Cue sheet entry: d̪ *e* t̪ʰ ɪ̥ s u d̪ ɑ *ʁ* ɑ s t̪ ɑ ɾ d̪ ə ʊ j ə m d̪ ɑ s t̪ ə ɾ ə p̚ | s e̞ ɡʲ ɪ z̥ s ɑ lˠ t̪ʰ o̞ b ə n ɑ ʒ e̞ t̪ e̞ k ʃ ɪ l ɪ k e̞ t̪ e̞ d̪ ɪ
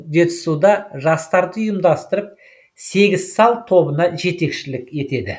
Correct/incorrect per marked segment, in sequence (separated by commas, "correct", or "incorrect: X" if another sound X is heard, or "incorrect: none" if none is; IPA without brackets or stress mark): correct, incorrect: ʒ